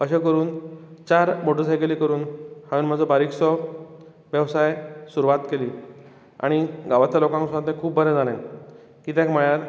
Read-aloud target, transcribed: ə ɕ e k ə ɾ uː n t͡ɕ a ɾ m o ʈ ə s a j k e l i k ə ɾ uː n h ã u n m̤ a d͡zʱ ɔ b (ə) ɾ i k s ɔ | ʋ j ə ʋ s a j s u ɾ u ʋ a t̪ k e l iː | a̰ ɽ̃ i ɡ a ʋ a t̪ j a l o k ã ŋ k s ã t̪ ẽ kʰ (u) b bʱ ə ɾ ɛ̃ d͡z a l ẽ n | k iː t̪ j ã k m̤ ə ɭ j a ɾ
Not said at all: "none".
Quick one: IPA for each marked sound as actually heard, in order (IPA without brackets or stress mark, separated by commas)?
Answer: a, uː